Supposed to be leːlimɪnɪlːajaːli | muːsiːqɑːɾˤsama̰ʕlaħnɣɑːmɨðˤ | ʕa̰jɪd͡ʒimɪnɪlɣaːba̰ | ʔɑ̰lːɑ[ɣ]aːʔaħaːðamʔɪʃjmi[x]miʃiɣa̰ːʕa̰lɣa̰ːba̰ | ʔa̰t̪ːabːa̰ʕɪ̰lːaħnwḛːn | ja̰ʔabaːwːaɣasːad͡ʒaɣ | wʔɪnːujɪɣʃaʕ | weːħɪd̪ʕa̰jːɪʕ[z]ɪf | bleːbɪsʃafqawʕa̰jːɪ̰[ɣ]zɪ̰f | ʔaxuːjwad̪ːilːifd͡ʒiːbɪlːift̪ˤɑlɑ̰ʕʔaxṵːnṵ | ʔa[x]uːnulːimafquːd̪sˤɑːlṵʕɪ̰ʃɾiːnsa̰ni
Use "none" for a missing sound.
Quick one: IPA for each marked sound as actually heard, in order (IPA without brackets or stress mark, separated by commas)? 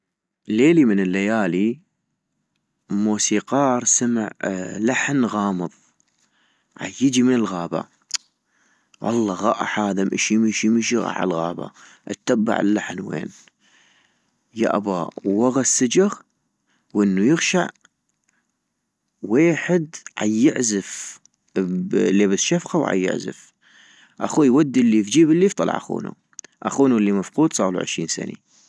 ɣ, ʃ, z, ʕ, x